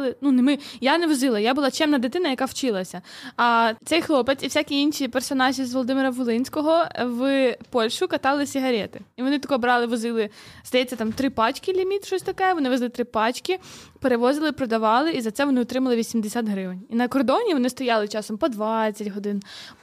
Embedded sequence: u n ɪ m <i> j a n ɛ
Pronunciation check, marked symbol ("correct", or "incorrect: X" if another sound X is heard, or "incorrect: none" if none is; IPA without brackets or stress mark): incorrect: ɪ